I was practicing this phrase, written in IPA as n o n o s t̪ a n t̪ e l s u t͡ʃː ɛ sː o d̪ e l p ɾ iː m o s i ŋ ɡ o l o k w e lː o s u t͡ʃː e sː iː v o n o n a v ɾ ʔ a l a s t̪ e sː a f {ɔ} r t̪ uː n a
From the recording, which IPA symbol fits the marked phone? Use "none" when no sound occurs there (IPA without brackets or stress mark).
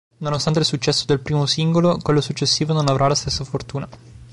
o